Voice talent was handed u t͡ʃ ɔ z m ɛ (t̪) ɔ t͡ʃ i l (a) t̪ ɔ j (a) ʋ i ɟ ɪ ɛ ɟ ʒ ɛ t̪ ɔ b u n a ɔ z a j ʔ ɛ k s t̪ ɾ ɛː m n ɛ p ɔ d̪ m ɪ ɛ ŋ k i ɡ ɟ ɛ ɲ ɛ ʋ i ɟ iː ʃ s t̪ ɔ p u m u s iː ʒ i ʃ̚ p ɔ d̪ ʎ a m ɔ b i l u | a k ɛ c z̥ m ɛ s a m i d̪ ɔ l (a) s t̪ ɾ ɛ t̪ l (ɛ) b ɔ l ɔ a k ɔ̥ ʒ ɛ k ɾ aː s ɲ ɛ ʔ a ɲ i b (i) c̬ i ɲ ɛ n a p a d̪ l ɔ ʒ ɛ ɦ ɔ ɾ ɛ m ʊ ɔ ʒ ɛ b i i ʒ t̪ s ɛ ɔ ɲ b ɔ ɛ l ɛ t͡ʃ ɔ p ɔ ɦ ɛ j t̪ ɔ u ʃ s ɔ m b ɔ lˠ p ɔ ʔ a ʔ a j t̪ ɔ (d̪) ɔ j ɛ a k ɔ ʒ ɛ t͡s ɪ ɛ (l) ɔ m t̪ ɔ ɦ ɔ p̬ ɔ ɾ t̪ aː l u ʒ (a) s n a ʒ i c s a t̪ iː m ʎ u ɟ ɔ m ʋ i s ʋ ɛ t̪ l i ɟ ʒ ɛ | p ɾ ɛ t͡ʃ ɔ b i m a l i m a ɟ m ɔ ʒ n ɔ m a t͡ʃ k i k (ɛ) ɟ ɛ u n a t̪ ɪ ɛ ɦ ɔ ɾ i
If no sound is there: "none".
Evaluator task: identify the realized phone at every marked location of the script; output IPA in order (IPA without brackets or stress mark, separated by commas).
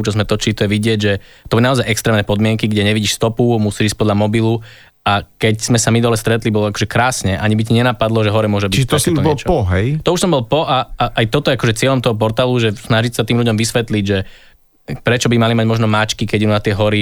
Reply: t̪, i, ɛ, ɛ, i, i, t̪, ʎ, ɛ, ɛ